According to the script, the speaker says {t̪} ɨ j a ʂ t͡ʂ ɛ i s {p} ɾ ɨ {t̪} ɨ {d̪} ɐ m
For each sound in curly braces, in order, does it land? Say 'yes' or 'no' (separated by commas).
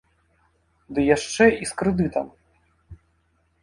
no, no, no, no